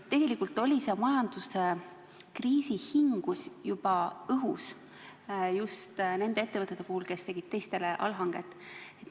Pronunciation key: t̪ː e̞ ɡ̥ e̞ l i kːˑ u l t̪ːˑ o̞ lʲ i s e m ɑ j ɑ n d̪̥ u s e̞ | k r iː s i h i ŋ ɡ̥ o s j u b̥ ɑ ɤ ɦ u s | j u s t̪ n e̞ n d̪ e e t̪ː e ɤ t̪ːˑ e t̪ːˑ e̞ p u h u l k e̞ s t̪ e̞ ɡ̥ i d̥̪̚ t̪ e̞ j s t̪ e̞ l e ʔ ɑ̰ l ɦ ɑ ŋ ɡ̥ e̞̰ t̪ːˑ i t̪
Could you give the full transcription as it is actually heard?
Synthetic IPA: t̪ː e̞ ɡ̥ e̞ l i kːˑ u l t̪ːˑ o̞ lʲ i s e m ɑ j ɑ n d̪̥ u s e̞ | k r iː s i h i ŋ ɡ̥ u s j u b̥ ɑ ɤ ɦ u s | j u s t̪ n e̞ n d̪ e e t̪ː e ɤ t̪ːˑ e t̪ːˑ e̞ p u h u l k e̞ s t̪ e̞ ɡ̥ i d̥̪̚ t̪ e̞ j s t̪ e̞ l e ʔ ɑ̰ l ɦ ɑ ŋ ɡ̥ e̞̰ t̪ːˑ e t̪